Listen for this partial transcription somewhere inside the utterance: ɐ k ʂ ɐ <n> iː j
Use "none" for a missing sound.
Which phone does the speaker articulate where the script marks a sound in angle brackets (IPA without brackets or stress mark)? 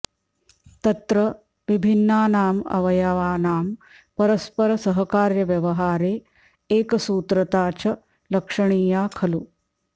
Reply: ɳ